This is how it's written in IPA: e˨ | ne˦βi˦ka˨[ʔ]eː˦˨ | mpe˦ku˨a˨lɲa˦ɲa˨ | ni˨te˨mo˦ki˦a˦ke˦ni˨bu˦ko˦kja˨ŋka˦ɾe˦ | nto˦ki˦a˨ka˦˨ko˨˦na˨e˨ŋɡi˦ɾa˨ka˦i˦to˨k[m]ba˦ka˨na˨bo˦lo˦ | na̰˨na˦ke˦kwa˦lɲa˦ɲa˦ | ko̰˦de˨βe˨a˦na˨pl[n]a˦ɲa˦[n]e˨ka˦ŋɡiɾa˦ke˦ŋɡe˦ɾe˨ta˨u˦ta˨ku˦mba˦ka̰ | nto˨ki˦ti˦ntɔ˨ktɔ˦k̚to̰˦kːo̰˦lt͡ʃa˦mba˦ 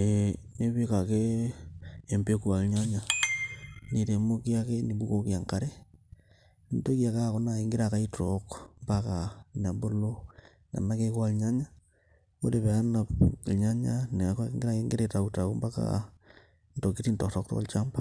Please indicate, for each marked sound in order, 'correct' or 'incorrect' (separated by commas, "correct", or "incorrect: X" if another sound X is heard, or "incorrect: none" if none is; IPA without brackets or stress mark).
incorrect: k, correct, incorrect: ɲ, correct